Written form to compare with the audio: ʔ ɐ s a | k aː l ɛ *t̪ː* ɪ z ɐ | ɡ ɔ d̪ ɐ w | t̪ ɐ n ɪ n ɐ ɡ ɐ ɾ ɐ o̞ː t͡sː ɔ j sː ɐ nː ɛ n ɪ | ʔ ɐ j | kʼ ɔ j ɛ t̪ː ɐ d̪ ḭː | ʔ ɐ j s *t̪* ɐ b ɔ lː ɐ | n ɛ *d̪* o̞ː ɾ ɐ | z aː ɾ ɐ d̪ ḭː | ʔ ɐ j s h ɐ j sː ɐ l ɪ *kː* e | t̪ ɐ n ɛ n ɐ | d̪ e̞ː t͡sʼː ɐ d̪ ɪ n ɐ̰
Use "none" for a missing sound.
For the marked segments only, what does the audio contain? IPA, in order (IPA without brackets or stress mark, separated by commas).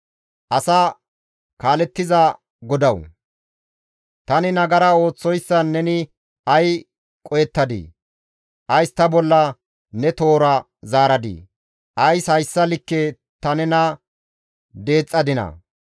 t̪ː, t̪, t̪, kː